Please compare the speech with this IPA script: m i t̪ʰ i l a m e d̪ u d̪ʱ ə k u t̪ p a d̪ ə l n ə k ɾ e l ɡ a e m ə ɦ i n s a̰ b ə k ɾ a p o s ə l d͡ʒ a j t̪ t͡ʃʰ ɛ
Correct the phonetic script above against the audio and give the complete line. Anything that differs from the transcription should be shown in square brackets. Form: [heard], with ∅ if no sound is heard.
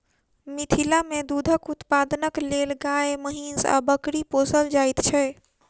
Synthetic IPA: m i t̪ʰ i l a m e d̪ u d̪ʱ ə k u t̪ p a d̪ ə [∅] n ə k [l] e l ɡ a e m ə ɦ i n s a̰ b ə k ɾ [i] p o s ə l d͡ʒ a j t̪ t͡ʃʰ ɛ